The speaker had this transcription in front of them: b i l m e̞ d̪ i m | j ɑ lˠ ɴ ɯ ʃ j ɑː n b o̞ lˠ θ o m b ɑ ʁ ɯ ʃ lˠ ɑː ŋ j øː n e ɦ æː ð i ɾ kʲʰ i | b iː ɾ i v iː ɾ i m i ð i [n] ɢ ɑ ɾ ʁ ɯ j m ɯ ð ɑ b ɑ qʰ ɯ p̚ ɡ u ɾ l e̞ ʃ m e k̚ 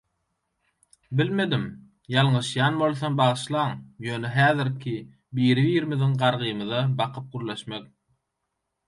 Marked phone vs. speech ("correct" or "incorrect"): incorrect